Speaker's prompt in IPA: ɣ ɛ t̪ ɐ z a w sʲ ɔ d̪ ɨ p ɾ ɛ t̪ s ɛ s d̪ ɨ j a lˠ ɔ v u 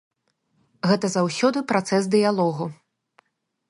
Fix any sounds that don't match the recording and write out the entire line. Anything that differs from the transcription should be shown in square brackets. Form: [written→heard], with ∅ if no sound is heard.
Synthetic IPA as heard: ɣ ɛ t̪ ɐ z a w sʲ ɔ d̪ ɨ p ɾ [ɛ→a] t̪ s ɛ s d̪ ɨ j a lˠ ɔ [v→ɣ] u